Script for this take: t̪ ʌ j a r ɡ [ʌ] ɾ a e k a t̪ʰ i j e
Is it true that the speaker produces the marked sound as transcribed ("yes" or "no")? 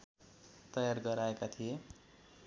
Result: yes